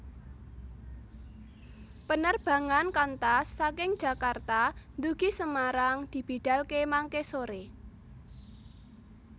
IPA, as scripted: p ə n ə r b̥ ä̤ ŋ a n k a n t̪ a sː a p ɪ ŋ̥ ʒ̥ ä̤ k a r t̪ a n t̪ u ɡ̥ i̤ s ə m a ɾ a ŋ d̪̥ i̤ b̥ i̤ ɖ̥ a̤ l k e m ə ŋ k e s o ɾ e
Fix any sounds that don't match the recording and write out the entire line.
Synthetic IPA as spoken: p ə n ə r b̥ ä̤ ŋ a n k a n t̪ a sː a k ɪ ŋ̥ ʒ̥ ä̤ k a r t̪ a n d̪ u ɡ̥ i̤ s ə m a ɾ a ŋ d̪̥ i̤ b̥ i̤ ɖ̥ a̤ l k e m a ŋ k e s o ɾ e